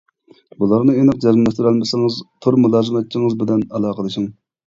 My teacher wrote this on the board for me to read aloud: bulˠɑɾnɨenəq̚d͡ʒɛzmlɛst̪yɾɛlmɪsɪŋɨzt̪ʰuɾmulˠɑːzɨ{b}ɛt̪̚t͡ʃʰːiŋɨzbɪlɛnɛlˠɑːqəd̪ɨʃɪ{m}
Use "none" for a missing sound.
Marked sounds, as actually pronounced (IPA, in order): m, ŋ

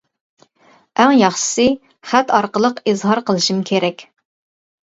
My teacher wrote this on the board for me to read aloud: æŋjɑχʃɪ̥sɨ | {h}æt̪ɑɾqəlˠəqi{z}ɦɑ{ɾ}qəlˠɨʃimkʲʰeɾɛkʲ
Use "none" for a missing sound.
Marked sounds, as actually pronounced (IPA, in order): χ, z, ɾ

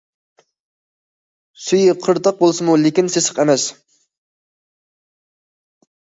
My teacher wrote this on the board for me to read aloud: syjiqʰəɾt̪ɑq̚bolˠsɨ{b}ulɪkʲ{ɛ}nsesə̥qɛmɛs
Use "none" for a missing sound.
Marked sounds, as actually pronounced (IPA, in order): m, i

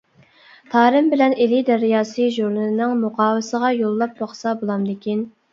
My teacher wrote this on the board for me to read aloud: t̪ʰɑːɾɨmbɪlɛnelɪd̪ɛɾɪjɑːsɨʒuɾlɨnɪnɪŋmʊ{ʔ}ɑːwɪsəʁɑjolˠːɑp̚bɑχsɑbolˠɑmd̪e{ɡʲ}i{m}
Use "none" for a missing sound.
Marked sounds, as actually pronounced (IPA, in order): q, kʲ, n

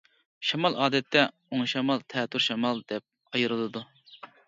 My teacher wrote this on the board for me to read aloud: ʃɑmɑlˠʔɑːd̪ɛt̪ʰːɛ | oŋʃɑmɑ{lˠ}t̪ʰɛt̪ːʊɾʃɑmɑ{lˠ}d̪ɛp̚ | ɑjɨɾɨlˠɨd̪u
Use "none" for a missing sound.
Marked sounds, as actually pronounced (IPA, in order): lˠ, lˠ

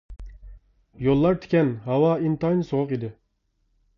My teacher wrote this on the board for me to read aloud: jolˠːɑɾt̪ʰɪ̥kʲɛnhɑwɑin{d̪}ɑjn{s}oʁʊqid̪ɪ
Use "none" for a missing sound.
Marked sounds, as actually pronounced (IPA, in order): t̪, s

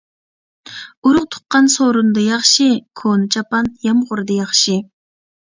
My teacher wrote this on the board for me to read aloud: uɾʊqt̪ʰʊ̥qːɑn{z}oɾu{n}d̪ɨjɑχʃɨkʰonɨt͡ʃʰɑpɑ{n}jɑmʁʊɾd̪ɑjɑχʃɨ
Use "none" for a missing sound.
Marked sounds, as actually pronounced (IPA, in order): s, n, n

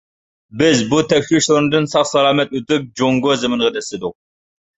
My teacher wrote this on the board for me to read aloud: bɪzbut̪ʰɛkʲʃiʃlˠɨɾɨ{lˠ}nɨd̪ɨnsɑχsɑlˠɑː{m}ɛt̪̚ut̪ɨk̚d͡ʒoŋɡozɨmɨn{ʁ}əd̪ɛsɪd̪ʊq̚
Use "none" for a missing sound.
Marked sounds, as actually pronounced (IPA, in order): none, m, ʁ

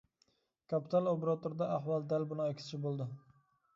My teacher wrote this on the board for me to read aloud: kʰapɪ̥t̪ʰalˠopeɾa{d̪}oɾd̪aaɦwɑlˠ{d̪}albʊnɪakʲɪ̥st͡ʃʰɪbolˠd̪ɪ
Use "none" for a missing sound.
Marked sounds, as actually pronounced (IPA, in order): t̪, d̪

